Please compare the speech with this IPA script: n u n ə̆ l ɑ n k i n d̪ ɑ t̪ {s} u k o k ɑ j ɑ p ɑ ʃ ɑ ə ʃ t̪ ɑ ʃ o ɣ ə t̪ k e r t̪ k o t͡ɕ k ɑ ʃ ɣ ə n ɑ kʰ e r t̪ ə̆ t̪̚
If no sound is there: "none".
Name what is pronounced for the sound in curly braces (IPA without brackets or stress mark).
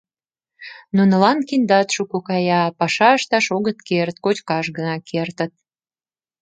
ʃ